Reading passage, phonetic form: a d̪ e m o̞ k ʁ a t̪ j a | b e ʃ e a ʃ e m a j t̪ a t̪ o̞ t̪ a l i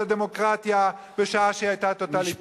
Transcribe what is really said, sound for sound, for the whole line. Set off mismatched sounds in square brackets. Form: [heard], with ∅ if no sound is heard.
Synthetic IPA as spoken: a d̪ e m o̞ k ʁ a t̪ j a | b e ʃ [a] a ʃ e [∅] a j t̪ a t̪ o̞ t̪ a l i